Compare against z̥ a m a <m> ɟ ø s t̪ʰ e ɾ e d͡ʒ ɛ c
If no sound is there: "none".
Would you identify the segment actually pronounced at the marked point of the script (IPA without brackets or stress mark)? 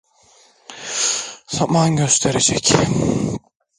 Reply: n